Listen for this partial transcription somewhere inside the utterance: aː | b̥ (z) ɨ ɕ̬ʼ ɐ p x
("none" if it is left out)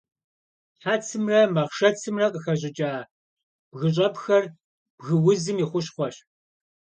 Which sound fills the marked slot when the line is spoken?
ɣ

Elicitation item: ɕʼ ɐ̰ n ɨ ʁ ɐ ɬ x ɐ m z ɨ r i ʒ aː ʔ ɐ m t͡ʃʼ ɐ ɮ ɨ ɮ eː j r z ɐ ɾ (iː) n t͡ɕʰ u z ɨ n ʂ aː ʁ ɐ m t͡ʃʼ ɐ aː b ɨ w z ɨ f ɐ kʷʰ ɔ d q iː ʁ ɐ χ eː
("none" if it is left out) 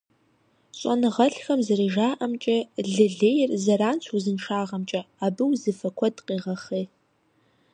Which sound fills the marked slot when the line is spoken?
aː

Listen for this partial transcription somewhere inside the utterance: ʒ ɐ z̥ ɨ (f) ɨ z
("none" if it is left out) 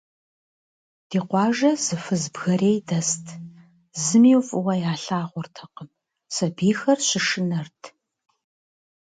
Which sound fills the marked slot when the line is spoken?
f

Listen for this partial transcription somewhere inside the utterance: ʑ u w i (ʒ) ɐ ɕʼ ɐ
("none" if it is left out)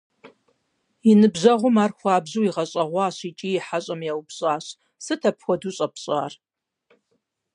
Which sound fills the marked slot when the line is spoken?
ʁ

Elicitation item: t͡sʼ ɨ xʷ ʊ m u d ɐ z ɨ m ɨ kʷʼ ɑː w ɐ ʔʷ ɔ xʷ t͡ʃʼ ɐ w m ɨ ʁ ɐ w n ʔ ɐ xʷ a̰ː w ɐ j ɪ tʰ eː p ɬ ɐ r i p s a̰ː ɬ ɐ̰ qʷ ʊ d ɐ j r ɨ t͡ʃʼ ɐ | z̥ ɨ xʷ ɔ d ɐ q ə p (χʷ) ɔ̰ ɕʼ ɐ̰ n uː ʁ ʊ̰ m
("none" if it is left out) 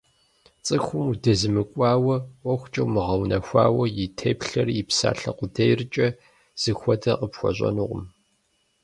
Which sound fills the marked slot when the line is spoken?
xʷ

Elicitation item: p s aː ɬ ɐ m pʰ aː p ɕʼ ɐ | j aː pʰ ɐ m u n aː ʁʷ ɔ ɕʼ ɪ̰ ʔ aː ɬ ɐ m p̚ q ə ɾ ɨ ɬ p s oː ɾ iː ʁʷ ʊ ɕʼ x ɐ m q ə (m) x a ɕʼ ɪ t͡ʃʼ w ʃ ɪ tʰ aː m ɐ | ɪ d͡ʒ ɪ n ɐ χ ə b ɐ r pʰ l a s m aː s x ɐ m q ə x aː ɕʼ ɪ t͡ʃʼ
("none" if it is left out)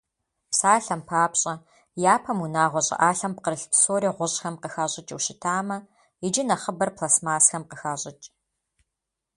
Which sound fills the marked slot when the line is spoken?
none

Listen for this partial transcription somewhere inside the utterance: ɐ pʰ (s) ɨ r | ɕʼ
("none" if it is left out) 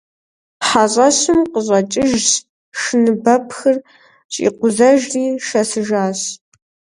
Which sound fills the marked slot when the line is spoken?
x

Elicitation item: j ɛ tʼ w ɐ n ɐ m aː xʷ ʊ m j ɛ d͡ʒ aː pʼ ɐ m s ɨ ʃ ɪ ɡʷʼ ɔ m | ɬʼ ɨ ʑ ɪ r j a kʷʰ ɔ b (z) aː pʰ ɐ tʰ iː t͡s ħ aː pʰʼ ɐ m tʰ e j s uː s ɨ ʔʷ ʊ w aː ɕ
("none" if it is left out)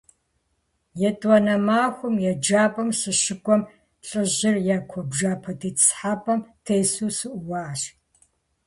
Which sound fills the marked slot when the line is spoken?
ʒ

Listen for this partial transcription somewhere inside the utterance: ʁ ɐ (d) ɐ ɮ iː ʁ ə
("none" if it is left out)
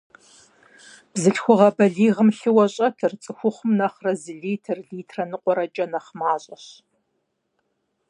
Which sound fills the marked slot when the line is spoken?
b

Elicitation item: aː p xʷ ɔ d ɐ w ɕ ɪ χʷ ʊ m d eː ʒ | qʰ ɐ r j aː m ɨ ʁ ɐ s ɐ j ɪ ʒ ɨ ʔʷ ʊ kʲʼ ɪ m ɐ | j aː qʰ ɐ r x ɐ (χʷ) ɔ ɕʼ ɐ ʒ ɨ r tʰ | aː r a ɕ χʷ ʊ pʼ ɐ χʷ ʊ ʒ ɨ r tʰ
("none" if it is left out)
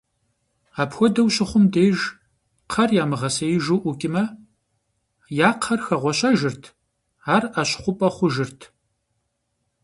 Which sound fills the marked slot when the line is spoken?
ʁʷ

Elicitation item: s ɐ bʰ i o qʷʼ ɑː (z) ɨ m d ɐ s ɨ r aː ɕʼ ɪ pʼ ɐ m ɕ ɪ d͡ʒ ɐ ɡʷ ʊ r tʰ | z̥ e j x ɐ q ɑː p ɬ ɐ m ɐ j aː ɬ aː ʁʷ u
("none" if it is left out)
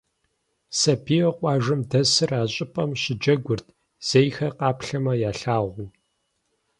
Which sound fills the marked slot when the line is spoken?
ʒ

